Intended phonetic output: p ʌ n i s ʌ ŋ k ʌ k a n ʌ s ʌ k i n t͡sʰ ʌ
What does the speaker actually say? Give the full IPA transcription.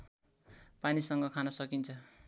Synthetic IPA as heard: p a n i s ʌ ŋ ɡ ʌ kʰ a n ʌ s ʌ k i n t͡sʰ ʌ